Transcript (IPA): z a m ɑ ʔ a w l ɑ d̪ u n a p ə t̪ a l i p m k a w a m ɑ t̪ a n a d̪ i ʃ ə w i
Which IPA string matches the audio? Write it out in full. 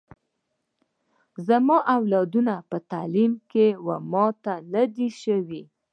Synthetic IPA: z a m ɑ ʔ a w l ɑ d̪ u n a p ə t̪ a l i m k e w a m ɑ t̪ a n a d̪ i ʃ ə w i